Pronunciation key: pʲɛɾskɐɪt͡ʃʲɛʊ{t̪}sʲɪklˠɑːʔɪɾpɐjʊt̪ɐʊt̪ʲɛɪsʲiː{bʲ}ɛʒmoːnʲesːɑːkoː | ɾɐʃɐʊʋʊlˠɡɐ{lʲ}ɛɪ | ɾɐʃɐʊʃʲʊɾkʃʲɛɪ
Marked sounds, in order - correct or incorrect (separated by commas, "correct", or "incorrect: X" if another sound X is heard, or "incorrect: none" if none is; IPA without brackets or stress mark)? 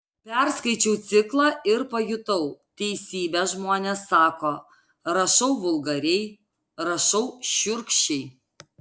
correct, correct, incorrect: ɾʲ